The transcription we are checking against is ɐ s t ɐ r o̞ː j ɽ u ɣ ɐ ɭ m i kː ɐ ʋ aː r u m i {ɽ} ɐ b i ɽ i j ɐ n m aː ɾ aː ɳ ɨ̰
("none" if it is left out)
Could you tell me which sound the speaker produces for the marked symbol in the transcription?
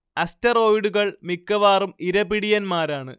ɾ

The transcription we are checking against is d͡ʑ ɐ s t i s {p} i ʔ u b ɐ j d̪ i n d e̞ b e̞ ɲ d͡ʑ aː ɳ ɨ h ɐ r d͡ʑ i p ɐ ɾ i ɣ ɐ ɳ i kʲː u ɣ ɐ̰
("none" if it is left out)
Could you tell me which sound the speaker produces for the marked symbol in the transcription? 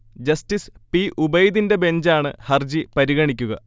p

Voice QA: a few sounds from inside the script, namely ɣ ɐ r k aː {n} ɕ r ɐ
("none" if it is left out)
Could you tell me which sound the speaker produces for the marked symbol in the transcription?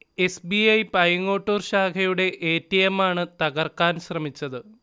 n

